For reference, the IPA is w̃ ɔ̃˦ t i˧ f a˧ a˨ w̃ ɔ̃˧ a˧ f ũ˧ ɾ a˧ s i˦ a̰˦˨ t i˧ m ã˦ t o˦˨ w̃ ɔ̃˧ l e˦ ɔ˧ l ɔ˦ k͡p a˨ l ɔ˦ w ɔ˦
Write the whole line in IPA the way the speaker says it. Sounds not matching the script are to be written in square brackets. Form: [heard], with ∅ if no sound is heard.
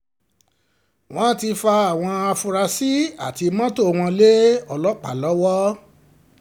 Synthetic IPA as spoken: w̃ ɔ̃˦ t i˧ f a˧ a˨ w̃ ɔ̃˧ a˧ f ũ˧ ɾ a˧ s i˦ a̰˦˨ t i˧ m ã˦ t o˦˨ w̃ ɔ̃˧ l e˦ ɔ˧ l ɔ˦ k͡p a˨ l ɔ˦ w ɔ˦